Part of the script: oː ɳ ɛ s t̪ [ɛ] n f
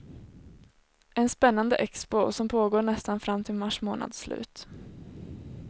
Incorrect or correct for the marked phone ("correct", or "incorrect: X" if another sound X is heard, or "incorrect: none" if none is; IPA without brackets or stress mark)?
incorrect: a